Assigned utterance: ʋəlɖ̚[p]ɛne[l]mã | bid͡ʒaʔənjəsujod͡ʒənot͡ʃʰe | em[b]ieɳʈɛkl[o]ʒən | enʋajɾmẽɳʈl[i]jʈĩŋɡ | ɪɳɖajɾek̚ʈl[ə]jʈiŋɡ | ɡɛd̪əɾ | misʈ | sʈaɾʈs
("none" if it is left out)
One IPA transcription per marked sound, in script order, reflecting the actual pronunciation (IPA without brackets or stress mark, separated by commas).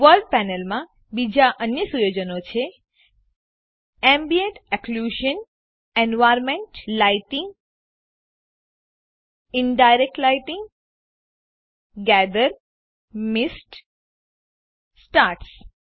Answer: p, l, b, u, a, a